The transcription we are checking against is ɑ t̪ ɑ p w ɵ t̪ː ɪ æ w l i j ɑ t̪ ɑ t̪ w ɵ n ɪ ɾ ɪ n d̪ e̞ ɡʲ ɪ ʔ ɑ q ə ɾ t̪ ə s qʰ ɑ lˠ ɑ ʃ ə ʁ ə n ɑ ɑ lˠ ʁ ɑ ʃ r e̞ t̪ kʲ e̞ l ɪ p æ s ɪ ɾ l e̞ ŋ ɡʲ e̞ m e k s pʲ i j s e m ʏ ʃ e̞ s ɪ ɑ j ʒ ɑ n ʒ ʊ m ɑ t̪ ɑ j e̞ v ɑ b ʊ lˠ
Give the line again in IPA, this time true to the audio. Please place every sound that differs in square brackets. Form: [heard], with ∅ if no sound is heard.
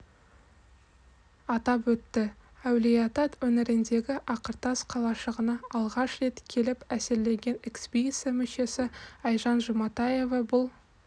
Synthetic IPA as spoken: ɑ t̪ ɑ p w ɵ t̪ː ɪ æ w l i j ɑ t̪ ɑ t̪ w ɵ n ɪ ɾ ɪ n d̪ e̞ ɡʲ ɪ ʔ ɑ q ə ɾ t̪ [ɑ] s qʰ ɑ lˠ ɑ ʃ ə ʁ ə n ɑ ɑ lˠ ʁ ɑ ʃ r e̞ t̪ [kʲʰ] e̞ l ɪ p æ s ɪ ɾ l e̞ ŋ ɡʲ e̞ [n] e k s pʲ i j s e m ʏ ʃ e̞ s ɪ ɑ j ʒ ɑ n ʒ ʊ m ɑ t̪ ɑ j e̞ v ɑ b ʊ lˠ